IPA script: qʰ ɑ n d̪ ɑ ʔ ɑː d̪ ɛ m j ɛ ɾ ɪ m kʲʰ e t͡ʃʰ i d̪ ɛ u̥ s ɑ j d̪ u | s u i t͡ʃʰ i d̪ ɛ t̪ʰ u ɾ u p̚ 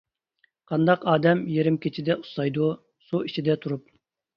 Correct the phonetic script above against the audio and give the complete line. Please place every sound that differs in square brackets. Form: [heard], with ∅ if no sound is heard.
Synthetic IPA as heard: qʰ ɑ n d̪ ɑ [q] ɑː d̪ ɛ m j [e] ɾ ɪ m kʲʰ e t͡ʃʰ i d̪ ɛ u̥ s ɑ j d̪ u | s u i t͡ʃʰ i d̪ ɛ t̪ʰ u ɾ u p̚